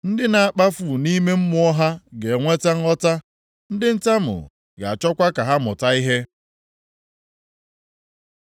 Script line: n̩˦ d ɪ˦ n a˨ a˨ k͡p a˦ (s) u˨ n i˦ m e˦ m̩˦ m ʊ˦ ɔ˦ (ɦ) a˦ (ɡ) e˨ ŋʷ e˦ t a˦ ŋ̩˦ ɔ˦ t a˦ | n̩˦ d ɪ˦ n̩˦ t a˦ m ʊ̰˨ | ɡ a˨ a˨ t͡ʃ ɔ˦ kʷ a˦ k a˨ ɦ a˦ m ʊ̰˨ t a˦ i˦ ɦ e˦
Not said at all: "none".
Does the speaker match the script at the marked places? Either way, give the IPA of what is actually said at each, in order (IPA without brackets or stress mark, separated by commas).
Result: f, ɦ, ɡ